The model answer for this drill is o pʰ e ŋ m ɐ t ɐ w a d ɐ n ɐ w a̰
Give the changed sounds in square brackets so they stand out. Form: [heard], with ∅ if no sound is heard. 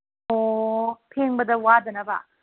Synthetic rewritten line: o pʰ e ŋ [b] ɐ [d] ɐ w a d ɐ n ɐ [b] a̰